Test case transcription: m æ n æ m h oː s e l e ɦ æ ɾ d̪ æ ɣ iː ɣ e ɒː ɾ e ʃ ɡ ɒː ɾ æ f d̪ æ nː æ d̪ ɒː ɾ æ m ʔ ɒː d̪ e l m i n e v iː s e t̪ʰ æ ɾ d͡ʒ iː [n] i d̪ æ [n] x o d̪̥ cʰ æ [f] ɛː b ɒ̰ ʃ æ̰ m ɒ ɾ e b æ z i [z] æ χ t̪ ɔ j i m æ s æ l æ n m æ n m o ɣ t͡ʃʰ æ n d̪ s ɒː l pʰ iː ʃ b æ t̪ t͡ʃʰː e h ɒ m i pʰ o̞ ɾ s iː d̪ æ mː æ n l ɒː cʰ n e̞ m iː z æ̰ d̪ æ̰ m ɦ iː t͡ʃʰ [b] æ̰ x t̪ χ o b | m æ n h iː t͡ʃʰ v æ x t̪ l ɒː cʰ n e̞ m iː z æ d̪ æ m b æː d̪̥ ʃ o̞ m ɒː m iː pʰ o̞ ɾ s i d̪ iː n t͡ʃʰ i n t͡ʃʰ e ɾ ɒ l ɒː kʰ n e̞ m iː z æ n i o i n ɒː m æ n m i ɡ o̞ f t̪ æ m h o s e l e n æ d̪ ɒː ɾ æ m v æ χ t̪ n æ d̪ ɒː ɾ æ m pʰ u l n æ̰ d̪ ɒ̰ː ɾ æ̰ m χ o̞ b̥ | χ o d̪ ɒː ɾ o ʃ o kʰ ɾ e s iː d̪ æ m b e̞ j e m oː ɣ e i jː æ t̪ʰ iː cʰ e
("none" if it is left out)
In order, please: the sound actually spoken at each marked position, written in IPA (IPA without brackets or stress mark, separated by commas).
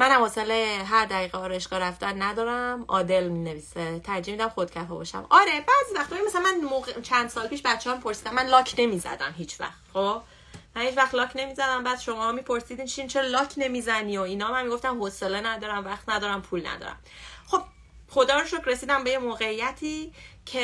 m, m, f, v, v